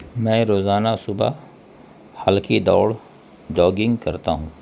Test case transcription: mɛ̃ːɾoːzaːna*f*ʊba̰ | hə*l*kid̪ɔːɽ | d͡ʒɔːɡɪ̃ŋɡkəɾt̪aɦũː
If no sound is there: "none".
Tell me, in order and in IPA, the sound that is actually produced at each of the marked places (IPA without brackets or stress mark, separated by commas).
s, l